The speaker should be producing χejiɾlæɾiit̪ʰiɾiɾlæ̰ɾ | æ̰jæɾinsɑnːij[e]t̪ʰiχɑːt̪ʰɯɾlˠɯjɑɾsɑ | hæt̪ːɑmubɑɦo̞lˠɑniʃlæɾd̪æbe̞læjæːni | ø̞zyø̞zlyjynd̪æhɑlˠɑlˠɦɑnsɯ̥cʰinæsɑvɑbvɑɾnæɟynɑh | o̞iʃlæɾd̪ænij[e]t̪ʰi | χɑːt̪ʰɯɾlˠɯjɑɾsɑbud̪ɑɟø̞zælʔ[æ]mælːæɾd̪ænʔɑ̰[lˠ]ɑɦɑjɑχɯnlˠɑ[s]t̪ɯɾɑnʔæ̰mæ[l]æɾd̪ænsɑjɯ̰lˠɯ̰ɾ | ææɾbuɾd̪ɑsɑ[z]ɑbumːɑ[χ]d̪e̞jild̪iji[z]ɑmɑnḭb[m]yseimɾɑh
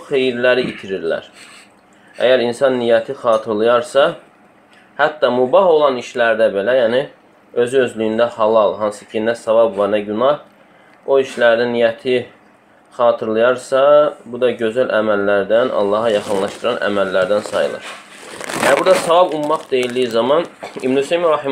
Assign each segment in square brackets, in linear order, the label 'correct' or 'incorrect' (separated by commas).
incorrect, incorrect, correct, incorrect, incorrect, incorrect, incorrect, correct, correct, incorrect